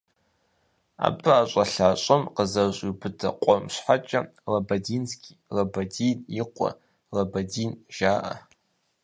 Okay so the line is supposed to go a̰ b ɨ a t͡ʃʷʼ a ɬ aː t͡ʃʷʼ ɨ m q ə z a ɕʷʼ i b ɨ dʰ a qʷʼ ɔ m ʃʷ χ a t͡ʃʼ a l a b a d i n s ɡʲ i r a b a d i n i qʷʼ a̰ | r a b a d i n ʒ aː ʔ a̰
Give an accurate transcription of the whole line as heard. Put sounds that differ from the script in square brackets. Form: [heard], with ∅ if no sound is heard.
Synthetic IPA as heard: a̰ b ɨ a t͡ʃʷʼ a ɬ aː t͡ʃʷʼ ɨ m q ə z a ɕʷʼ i b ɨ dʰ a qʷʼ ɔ m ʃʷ [ħ] a t͡ʃʼ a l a b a d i n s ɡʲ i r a b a d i n i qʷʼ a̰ | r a b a d i n ʒ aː ʔ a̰